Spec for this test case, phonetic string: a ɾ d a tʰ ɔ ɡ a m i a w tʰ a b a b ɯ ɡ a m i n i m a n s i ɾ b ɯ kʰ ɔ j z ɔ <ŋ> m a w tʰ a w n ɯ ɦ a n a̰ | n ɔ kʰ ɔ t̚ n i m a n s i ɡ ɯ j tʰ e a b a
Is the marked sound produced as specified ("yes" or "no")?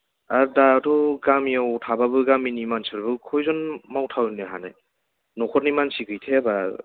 no